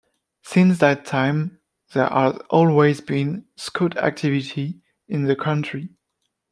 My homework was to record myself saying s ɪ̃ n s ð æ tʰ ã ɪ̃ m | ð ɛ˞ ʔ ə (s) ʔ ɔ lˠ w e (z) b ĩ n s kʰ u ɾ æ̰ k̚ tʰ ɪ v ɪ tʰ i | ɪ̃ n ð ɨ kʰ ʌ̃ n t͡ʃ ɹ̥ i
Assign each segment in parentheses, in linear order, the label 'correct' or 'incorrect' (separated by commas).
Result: incorrect, correct